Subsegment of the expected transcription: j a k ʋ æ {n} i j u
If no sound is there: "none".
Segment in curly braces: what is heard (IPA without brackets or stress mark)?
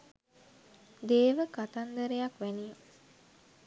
n